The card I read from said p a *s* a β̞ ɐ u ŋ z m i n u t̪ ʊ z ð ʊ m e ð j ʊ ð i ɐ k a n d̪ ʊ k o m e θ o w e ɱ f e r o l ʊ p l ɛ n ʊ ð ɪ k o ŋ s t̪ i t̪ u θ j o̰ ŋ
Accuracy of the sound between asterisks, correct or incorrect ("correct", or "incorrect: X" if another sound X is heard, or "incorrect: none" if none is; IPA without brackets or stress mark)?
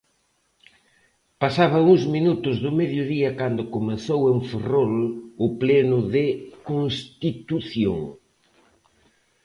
correct